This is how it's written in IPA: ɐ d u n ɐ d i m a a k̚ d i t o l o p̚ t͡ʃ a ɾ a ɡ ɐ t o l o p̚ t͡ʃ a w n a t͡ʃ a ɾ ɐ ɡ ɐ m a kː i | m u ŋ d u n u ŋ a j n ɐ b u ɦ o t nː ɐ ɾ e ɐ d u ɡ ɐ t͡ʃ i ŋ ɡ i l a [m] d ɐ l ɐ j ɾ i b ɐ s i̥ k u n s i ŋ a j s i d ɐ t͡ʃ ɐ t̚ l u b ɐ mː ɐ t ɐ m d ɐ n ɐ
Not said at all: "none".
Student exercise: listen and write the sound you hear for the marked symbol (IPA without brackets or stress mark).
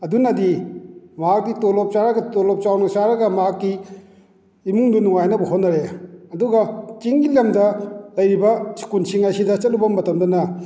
m